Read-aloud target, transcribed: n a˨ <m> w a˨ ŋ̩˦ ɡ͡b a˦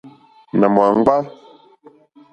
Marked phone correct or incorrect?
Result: correct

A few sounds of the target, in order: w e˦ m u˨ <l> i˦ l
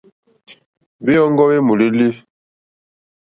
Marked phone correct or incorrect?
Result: correct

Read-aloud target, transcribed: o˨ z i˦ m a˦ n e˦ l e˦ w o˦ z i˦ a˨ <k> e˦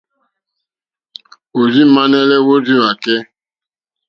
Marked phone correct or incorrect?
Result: correct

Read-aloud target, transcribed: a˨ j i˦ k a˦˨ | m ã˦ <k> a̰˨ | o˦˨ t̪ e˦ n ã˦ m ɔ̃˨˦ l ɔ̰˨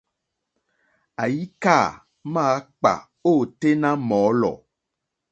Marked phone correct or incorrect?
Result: incorrect: k͡p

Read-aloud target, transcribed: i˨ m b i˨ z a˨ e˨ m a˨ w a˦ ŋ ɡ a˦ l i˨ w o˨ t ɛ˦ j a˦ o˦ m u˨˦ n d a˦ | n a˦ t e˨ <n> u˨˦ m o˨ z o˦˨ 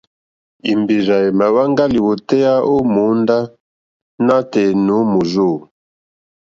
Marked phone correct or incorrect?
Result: correct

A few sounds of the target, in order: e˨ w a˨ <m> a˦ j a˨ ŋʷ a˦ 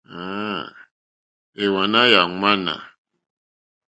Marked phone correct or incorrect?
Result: incorrect: n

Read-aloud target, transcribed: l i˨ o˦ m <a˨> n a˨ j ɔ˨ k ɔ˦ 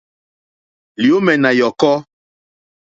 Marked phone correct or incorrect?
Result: incorrect: ɛ˨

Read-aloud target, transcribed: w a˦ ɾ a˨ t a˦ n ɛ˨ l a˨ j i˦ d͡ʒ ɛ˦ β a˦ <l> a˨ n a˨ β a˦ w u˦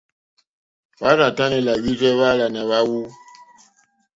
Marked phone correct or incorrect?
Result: correct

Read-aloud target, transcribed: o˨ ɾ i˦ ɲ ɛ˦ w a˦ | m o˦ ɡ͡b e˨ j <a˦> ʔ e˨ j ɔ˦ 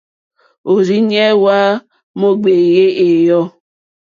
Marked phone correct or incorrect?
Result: incorrect: e˦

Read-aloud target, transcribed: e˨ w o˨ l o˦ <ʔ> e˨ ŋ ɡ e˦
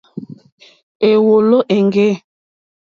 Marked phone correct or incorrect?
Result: correct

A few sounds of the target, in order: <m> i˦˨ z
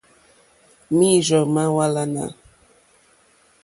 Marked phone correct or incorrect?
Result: correct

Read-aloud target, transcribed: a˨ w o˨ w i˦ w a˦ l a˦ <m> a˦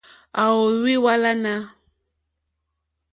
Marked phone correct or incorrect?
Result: incorrect: n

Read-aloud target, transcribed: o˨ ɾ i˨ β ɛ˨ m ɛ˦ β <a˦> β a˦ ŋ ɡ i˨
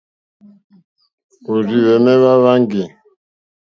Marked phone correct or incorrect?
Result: correct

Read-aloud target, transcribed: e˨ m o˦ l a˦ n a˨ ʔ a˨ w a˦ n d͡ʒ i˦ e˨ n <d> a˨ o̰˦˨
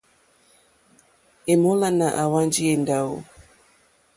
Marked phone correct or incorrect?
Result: correct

